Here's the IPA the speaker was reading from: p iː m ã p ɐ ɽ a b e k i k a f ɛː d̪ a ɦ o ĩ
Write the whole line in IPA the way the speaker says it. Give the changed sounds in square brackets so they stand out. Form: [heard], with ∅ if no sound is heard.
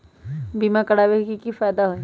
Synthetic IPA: [b] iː m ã [k] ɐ ɽ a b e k i k [i] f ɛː d̪ a ɦ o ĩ